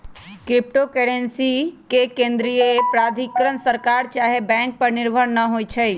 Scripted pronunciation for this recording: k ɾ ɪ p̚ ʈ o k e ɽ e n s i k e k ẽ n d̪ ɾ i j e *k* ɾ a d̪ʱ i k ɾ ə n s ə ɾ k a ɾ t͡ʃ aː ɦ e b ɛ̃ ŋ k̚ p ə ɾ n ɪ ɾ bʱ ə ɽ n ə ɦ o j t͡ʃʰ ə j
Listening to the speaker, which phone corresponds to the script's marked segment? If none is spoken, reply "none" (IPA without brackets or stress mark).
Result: p